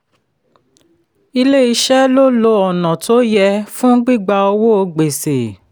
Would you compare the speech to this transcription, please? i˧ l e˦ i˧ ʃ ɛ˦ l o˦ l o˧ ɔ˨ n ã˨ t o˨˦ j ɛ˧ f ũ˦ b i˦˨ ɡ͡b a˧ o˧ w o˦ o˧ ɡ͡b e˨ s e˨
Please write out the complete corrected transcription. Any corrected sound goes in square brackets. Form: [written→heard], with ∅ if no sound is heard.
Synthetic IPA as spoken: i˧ l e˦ i˧ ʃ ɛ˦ l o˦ l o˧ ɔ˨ n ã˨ t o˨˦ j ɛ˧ f ũ˦ [b→ɡ͡b] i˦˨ ɡ͡b a˧ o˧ w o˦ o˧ ɡ͡b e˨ s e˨